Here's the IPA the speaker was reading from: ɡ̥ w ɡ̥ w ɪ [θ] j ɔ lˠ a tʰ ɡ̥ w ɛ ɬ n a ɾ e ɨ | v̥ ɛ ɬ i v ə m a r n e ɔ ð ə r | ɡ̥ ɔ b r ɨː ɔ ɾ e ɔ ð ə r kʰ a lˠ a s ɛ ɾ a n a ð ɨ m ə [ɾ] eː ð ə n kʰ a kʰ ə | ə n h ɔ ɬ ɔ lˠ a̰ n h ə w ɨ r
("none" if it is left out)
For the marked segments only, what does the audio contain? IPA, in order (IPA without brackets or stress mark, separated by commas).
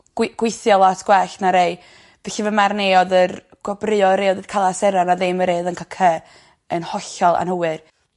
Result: θ, ɾ